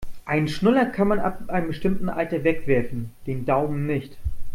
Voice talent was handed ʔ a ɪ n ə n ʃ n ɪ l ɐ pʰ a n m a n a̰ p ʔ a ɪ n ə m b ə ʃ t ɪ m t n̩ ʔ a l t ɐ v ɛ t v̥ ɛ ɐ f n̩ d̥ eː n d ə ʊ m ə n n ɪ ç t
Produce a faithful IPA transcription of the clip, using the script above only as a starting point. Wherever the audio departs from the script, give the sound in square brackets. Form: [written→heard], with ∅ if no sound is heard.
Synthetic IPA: ʔ a ɪ n ə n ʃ n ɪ l ɐ [pʰ→kʰ] a n m a n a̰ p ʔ a ɪ n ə m b ə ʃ t ɪ m t n̩ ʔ a l t ɐ v ɛ [t→k] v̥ ɛ ɐ f n̩ d̥ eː n d [ə→a] ʊ m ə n n ɪ ç t